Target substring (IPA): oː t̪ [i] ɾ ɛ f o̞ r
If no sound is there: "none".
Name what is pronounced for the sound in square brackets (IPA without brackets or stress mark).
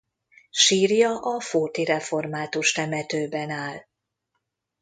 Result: i